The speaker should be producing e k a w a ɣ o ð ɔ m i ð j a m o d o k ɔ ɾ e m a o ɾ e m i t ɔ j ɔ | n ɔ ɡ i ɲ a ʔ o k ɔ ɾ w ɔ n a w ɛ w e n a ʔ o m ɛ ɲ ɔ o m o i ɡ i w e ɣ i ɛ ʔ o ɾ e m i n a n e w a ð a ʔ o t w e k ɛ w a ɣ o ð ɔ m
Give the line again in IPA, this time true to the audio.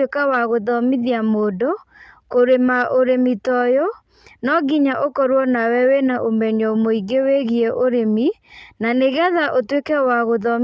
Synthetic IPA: e k a w a ɣ o ð ɔ m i ð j a m o d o k o ɾ e m a o ɾ e m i t ɔ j ɔ | n ɔ ɡ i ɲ a ʔ o k ɔ ɾ w ɔ n a w ɛ w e n a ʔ o m ɛ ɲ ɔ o m o i ɡ e w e ɣ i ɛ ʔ o ɾ e m i n a n e ɣ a ð a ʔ o t w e k ɛ w a ɣ o ð ɔ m